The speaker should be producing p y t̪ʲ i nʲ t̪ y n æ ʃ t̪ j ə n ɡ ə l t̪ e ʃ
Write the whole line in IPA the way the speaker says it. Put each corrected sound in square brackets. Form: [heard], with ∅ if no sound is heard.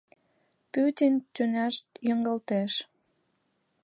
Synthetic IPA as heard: p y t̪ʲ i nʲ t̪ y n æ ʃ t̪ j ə [ŋ] ɡ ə l t̪ e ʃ